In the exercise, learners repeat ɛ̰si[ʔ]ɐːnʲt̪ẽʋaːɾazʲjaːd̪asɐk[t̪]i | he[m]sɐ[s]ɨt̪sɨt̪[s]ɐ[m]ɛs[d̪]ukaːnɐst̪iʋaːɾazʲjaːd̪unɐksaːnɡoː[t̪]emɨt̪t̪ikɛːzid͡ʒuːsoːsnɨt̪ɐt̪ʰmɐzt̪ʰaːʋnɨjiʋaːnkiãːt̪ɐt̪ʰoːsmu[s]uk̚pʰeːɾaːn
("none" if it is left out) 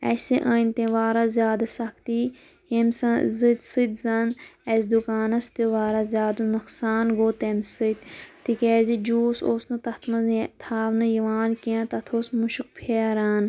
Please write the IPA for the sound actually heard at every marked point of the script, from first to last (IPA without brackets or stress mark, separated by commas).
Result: ʔ, t̪, m, z, z, n, d̪, t̪, ʃ